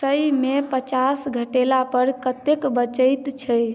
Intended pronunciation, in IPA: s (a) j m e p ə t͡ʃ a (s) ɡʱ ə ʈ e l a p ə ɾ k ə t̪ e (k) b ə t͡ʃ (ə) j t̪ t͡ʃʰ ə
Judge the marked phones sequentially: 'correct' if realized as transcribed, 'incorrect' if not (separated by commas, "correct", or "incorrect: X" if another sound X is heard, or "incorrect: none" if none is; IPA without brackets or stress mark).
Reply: incorrect: ə, correct, correct, correct